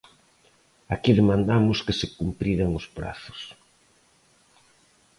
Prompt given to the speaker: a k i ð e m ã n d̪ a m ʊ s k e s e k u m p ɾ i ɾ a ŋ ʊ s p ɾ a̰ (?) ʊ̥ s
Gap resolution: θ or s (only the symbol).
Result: θ